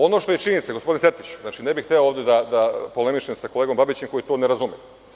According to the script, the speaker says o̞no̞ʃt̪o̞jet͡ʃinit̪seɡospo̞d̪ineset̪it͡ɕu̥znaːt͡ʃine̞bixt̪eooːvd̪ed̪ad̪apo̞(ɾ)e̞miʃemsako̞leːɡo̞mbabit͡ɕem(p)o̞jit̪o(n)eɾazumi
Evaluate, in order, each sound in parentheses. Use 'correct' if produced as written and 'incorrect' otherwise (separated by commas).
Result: incorrect, incorrect, correct